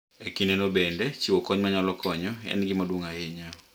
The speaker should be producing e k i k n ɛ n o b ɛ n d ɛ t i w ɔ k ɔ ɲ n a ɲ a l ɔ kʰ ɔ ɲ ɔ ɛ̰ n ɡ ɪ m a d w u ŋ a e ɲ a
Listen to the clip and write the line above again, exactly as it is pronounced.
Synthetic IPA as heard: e k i n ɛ n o b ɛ n d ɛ t͡ʃ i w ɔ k ɔ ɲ m a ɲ a l ɔ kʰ ɔ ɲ ɔ ɛ̰ n ɡ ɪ m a d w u ŋ a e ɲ a